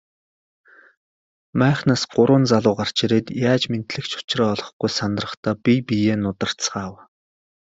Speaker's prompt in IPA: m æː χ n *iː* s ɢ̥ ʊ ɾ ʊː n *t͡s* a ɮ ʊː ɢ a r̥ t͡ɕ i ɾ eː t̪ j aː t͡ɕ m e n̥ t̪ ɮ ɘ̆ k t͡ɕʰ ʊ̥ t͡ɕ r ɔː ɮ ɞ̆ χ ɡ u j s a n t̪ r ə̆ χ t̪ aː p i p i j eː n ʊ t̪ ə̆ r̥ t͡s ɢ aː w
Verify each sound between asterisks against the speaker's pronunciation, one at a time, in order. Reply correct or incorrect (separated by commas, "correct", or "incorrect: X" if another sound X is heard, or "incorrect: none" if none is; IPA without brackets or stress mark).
incorrect: aː, correct